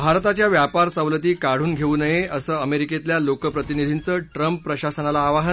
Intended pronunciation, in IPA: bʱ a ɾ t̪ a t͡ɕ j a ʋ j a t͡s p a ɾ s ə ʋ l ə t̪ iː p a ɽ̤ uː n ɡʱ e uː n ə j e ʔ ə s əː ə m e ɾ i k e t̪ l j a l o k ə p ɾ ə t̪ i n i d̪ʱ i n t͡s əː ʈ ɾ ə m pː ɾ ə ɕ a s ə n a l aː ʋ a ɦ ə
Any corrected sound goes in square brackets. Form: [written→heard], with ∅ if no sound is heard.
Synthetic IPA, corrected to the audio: bʱ a ɾ t̪ a t͡ɕ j a ʋ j a [t͡s→∅] p a ɾ s ə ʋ l ə t̪ iː [p→k] a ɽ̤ uː n ɡʱ e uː n ə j e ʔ ə s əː ə m e ɾ i k e t̪ l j a l o k ə p ɾ ə t̪ i n i d̪ʱ i n t͡s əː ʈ ɾ ə m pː ɾ ə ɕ a s ə n a l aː ʋ a ɦ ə